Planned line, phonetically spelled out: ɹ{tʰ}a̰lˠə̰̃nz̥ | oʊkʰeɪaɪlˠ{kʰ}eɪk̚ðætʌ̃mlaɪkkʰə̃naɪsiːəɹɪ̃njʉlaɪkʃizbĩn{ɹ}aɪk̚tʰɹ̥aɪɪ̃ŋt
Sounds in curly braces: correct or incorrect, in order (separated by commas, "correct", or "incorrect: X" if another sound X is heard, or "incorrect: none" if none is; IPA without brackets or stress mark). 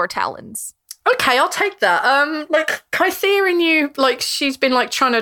correct, incorrect: tʰ, incorrect: l